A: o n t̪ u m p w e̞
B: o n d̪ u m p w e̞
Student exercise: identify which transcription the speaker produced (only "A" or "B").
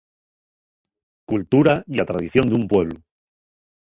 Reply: B